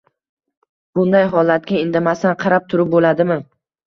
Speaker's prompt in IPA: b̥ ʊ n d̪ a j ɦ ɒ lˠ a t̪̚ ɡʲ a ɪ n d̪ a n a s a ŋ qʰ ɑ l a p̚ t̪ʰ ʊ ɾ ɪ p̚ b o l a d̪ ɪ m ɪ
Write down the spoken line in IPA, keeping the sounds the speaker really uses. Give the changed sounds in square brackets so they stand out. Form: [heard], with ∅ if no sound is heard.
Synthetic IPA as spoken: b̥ ʊ n d̪ a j ɦ ɒ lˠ a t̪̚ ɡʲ a ɪ n d̪ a [m] a s a [n] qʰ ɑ [ɾ] a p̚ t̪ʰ ʊ ɾ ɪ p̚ b o l a d̪ ɪ m ɪ